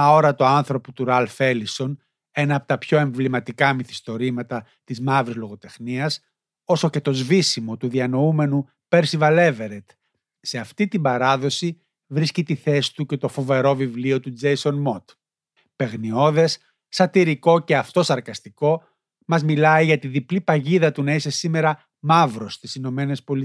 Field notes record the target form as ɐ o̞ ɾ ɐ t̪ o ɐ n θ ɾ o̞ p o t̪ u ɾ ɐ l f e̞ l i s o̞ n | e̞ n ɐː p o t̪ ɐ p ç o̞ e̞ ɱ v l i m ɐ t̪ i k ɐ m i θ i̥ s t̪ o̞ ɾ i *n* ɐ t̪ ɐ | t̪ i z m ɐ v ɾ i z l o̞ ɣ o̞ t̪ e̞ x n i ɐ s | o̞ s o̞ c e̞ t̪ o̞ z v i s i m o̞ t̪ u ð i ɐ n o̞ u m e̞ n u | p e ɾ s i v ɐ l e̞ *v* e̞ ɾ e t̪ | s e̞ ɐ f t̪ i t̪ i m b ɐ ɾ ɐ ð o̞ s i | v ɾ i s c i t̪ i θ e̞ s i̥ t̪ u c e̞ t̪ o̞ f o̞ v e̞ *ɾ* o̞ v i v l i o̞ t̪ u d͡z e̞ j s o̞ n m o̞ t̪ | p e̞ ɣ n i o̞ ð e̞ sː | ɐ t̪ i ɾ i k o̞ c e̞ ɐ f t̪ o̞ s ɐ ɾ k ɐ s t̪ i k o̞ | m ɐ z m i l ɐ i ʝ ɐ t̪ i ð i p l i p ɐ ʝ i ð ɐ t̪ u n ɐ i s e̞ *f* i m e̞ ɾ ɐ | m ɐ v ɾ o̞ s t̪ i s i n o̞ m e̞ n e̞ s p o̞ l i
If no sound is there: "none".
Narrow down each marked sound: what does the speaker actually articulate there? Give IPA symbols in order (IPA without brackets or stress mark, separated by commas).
m, v, ɾ, s